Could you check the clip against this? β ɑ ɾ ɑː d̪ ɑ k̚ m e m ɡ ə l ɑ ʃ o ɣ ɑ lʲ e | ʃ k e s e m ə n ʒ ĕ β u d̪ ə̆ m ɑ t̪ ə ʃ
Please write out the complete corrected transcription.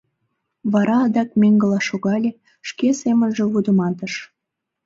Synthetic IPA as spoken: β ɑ ɾ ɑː d̪ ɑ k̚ m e ŋ ɡ ə l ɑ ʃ o ɣ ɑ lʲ e | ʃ k e s e m ə n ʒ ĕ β u d̪ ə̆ m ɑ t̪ ə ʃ